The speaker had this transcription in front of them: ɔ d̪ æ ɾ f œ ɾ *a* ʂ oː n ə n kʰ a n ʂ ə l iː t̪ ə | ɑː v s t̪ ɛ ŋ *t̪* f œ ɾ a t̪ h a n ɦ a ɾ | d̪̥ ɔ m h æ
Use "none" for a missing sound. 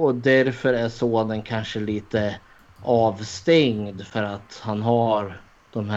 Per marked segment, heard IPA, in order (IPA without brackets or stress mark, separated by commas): æ, d̪